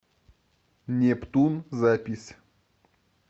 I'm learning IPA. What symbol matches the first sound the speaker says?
nʲ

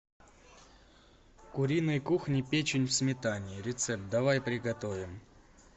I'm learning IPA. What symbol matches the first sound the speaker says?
k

